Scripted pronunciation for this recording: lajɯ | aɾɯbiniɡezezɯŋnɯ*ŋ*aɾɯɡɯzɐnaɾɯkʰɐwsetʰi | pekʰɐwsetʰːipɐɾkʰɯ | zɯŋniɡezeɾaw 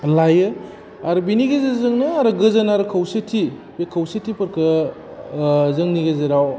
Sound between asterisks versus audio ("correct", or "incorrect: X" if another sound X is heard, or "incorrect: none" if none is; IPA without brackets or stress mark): incorrect: none